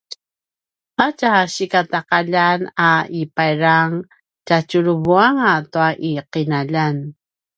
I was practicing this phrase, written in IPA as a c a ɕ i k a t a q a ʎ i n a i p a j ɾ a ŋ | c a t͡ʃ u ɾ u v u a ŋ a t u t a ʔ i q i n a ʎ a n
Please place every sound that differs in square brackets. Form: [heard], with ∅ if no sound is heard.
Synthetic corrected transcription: a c a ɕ i k a t a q a ʎ [a] n a i p a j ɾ a ŋ | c a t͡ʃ u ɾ u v u a ŋ a t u [∅] a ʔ i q i n a ʎ a n